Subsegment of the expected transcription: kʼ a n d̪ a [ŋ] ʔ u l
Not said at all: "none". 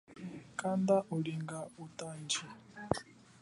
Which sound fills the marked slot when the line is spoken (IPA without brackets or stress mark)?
none